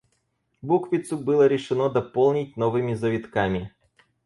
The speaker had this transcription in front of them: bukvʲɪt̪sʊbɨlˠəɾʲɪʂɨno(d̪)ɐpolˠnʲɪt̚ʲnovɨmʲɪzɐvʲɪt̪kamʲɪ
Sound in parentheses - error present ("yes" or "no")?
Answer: no